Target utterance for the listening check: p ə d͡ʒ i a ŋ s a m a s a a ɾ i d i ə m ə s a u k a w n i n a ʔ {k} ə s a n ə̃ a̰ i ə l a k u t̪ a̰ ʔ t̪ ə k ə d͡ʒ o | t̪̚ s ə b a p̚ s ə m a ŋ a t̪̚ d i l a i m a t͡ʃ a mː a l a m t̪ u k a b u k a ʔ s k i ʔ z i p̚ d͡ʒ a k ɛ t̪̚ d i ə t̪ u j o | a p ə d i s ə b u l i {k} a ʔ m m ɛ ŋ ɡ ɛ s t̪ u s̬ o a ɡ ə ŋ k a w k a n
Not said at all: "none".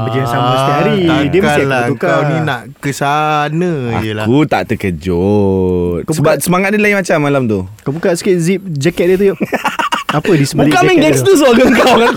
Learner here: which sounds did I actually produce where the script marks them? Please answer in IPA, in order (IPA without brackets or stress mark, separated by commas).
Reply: k, k